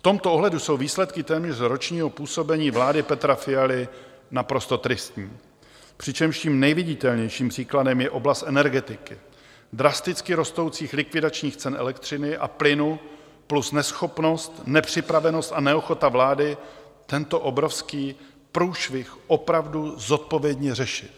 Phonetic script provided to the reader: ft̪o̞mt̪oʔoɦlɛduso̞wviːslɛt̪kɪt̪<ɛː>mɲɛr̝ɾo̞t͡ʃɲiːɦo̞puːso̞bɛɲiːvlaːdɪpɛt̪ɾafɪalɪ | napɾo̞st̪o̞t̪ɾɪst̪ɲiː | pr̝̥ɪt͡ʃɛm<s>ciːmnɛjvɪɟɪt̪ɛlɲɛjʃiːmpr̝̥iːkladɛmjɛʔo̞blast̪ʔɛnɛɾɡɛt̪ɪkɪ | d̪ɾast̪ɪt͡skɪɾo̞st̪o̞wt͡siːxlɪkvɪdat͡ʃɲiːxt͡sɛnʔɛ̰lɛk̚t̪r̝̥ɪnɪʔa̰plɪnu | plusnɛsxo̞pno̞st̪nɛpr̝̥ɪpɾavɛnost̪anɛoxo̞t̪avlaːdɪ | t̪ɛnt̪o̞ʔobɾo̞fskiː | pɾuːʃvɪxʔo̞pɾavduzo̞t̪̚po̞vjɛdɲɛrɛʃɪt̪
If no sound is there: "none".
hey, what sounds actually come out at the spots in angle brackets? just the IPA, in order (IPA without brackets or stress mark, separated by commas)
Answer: ɛː, ʃ